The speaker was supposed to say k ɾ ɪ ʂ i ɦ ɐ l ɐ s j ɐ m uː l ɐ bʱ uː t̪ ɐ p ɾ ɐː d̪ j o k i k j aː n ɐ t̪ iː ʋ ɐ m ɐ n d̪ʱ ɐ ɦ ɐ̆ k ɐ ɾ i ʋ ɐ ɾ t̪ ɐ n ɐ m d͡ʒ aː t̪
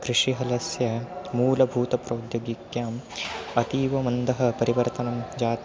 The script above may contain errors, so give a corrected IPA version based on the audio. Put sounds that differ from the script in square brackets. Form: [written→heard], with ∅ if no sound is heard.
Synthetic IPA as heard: k ɾ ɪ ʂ i ɦ ɐ l ɐ s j ɐ m uː l ɐ bʱ uː t̪ ɐ p ɾ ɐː d̪ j o [k→ɡ] i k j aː [n→m] ɐ t̪ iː ʋ ɐ m ɐ n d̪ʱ ɐ ɦ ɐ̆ [k→p] ɐ ɾ i ʋ ɐ ɾ t̪ ɐ n ɐ m d͡ʒ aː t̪